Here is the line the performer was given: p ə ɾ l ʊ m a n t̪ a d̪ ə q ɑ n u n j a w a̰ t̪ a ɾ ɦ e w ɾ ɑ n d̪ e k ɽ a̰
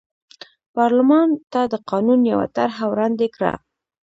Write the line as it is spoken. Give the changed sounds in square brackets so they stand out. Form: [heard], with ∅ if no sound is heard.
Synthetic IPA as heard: p [ɑ] ɾ l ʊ m [ɑ] n t̪ a d̪ ə q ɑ n u n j a w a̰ t̪ a ɾ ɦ [a] w ɾ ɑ n d̪ e k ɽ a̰